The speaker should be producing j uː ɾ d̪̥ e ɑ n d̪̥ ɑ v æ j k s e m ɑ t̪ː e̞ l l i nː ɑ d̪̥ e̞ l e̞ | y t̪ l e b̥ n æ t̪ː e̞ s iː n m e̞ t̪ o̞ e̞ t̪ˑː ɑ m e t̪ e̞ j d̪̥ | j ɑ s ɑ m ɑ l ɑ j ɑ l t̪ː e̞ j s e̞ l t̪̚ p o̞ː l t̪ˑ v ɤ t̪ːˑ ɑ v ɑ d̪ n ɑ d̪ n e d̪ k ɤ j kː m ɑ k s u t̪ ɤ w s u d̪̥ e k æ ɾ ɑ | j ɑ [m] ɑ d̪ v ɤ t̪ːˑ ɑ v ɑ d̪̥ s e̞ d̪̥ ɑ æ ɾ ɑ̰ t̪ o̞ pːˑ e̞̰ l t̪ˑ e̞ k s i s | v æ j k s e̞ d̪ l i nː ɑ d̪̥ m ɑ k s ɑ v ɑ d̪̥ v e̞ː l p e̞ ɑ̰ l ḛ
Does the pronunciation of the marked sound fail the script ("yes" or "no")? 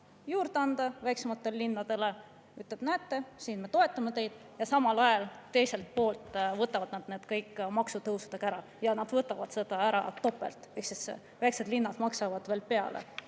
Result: yes